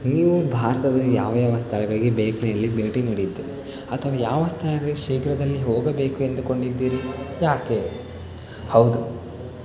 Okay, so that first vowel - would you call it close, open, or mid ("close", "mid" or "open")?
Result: close